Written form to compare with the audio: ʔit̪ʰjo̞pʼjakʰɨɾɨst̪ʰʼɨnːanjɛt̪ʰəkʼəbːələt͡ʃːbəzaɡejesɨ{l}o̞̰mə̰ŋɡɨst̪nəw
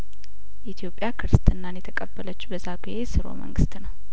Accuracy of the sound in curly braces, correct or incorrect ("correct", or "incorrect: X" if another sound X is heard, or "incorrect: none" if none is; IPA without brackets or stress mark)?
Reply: incorrect: ɾ